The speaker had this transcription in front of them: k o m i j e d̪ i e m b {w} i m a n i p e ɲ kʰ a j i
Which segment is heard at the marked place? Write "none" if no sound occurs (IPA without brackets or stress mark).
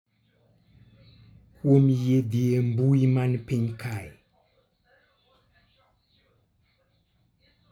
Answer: u